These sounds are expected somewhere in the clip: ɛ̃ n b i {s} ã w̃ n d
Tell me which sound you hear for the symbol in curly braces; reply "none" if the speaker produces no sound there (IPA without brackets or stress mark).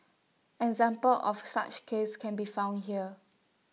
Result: f